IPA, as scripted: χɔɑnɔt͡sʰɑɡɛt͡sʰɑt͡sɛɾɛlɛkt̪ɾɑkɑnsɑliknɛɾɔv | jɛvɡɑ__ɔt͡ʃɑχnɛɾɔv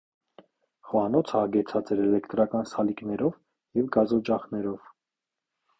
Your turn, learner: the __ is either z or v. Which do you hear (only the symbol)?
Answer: z